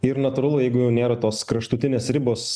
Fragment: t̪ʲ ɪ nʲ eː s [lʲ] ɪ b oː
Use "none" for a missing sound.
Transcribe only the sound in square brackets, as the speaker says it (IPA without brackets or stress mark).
ɾʲ